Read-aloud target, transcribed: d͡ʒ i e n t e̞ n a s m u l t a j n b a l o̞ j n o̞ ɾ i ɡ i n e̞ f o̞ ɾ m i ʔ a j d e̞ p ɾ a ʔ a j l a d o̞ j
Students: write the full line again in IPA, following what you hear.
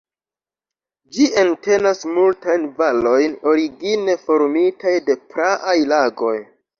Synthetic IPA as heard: d͡ʒ i e n t e̞ n a s m u l t a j n v a l o̞ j n o̞ ɾ i ɡ i n e̞ f o̞ ɾ m i t a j d e̞ p ɾ a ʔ a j l a ɡ o̞ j